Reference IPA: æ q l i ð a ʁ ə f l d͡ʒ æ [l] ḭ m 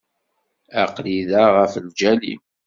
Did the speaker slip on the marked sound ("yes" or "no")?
no